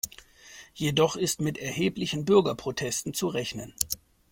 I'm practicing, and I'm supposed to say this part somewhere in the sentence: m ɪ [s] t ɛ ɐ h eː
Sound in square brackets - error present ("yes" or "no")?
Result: yes